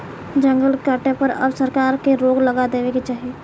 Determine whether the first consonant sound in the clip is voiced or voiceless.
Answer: voiced